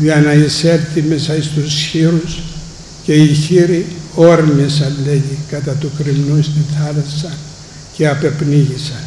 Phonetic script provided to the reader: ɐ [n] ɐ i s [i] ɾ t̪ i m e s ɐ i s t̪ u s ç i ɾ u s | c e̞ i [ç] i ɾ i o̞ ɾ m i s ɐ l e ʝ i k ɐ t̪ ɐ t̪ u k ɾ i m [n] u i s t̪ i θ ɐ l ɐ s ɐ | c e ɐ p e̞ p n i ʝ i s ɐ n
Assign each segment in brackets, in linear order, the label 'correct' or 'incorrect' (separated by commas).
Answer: correct, incorrect, correct, correct